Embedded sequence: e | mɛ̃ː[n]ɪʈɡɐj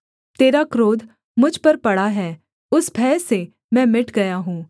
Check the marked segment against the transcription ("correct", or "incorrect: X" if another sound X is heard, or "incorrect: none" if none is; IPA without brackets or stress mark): incorrect: m